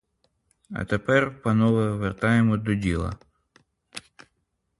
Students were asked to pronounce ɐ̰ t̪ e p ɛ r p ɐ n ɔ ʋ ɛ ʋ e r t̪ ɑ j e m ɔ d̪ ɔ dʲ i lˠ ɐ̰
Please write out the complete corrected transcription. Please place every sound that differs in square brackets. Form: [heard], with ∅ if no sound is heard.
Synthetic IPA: ɐ̰ t̪ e p ɛ r p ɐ n ɔ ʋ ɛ ʋ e r t̪ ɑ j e m ɔ d̪ ɔ dʲ i lˠ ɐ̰